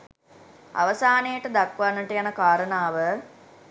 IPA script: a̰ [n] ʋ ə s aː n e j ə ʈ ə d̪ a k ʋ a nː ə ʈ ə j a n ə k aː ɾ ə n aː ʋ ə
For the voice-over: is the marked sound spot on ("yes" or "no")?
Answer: no